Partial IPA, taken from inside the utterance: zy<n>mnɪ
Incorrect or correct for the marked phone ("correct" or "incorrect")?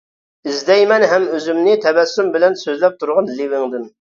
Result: incorrect